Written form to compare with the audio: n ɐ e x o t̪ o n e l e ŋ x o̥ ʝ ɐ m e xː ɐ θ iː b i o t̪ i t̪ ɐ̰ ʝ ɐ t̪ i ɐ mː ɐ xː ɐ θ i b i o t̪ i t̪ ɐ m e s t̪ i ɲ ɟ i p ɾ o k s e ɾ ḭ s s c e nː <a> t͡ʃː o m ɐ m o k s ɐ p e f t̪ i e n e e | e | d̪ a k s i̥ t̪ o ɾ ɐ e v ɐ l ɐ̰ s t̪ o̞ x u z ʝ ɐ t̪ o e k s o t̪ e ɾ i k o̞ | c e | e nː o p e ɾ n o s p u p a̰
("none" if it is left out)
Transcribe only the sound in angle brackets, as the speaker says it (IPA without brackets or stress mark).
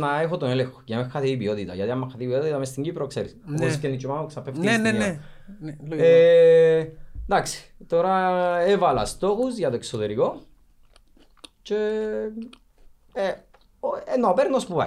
i